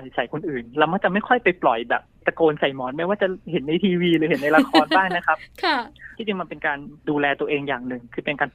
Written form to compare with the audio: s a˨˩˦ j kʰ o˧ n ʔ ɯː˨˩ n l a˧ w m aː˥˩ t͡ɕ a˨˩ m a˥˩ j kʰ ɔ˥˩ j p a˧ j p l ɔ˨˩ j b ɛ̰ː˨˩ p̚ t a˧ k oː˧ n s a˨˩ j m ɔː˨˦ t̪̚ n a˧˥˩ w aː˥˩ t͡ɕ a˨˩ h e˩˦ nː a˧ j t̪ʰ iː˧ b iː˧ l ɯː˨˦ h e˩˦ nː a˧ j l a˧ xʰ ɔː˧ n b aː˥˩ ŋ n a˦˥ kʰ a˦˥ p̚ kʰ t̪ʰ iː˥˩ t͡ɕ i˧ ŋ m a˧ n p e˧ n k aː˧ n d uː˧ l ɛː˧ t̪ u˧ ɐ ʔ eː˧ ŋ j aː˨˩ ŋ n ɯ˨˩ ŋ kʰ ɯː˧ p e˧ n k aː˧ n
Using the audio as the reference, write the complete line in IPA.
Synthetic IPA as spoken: s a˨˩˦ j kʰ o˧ n ʔ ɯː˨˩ n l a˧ w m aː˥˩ t͡ɕ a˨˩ m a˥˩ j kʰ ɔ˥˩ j p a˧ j p l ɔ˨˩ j b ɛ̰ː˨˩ p̚ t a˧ k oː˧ n s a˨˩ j m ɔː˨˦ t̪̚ m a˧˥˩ w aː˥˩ t͡ɕ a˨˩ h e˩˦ nː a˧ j t̪ʰ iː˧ w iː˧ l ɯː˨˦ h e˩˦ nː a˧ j l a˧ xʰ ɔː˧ n b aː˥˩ ŋ n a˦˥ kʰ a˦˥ p̚ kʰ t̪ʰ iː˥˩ t͡ɕ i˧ ŋ m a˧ n p e˧ n k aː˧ n d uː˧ l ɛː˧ t̪ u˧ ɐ ʔ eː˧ ŋ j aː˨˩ ŋ n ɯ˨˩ ŋ kʰ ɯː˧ p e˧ n k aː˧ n